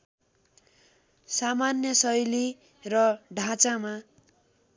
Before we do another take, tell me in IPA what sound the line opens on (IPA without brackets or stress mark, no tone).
s